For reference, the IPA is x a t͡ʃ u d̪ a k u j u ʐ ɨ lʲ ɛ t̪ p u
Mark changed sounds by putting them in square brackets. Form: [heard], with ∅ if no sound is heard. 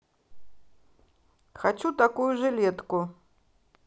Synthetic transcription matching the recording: x a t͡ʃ u [t̪] a k u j u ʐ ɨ lʲ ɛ t̪ [k] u